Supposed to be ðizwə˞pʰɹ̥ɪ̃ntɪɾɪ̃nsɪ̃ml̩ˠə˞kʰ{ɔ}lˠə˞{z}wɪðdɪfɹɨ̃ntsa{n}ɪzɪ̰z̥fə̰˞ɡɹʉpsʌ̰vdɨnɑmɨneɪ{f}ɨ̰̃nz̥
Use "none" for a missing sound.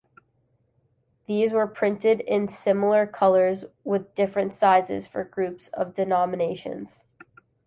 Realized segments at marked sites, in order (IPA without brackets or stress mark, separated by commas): ʌ, z, none, ʃ